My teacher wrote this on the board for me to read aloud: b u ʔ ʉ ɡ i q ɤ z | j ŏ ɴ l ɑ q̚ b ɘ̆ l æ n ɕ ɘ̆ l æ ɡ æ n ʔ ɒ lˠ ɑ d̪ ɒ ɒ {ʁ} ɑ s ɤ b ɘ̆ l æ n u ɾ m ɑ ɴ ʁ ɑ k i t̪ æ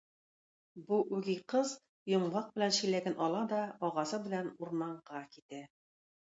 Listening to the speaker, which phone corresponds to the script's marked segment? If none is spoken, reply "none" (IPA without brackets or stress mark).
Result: ʁ